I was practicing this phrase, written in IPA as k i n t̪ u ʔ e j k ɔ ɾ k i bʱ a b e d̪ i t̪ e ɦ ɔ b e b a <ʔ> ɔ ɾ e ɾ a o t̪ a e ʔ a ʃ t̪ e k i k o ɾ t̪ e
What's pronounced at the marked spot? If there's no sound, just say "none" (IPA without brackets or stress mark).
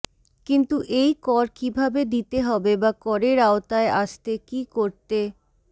k